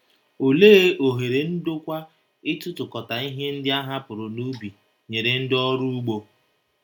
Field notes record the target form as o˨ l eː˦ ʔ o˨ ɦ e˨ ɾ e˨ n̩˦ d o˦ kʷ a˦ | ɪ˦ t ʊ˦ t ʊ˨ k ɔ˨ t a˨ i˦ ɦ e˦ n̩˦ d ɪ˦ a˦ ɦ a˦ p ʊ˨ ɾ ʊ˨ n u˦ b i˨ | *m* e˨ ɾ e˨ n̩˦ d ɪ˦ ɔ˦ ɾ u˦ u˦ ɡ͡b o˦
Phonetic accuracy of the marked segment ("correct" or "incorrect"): incorrect